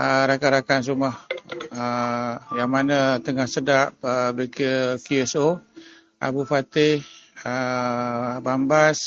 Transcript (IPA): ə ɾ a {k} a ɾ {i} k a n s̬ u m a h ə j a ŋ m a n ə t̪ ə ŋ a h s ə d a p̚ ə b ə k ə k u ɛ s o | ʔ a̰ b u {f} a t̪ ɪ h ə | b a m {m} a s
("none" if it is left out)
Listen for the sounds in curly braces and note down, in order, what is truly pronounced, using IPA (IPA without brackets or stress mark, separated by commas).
k, a, f, b